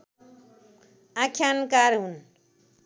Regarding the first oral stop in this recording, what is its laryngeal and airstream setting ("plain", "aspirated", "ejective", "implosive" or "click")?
aspirated